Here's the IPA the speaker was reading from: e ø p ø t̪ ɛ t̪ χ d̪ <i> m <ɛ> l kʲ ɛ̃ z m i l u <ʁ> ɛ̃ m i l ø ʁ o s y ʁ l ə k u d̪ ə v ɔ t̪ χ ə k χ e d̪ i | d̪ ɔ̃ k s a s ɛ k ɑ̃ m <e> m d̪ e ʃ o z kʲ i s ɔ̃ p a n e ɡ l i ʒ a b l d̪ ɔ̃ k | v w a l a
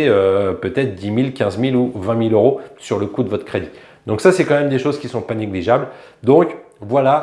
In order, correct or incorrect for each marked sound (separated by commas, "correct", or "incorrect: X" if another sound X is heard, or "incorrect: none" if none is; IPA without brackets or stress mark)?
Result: correct, incorrect: i, incorrect: v, incorrect: ɛ